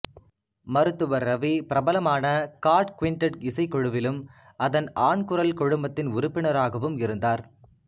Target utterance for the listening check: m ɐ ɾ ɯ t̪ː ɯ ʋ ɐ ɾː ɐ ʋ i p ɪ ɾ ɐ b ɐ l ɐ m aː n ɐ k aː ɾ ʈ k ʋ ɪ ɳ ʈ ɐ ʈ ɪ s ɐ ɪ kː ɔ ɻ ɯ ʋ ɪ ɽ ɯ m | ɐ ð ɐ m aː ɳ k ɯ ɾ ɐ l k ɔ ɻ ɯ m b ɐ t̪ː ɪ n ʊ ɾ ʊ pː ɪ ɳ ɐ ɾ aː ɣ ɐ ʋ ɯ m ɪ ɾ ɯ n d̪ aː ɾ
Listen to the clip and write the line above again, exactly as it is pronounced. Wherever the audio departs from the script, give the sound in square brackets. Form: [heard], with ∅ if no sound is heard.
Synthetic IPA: m ɐ ɾ ɯ t̪ː ɯ ʋ ɐ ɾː ɐ ʋ i p ɪ ɾ ɐ b ɐ l ɐ m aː n ɐ k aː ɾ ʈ k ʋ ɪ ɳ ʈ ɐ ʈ ɪ s ɐ ɪ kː ɔ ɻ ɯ ʋ ɪ [l] ɯ m | ɐ ð ɐ [n] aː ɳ k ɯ ɾ ɐ l k ɔ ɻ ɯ m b ɐ t̪ː ɪ n ʊ ɾ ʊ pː ɪ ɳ ɐ ɾ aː ɣ ɐ ʋ ɯ m ɪ ɾ ɯ n d̪ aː ɾ